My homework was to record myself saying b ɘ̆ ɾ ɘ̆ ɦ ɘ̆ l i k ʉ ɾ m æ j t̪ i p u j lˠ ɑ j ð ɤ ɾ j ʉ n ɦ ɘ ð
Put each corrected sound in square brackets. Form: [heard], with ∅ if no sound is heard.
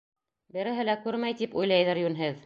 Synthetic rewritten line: b ɘ̆ ɾ ɘ̆ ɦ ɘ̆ l [æ] k ʉ ɾ m æ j t̪ i p u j lˠ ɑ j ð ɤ ɾ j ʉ n ɦ ɘ ð